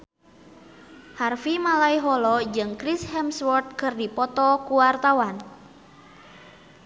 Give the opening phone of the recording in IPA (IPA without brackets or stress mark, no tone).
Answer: h